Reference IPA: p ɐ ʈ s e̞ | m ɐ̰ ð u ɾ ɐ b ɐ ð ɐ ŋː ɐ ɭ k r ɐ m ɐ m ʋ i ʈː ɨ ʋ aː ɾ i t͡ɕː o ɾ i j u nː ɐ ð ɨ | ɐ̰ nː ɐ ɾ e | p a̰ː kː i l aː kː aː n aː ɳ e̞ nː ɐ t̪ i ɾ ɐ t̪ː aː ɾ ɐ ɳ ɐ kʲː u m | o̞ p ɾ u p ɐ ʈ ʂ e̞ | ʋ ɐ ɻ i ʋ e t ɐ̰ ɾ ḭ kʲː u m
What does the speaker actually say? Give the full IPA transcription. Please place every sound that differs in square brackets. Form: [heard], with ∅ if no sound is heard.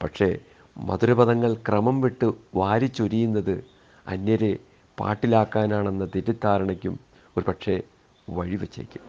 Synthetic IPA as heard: p ɐ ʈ [ʂ] e̞ | m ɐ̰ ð u ɾ ɐ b ɐ ð ɐ ŋː ɐ ɭ k r ɐ m ɐ m ʋ i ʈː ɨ ʋ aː ɾ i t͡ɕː o ɾ i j u nː ɐ ð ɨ | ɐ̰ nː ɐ ɾ e | p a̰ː [ʈː] i l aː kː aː n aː ɳ e̞ nː ɐ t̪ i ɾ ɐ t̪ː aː ɾ ɐ ɳ ɐ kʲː u m | o̞ [∅] ɾ u p ɐ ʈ ʂ e̞ | ʋ ɐ ɻ i ʋ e [t͡ɕː] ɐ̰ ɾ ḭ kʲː u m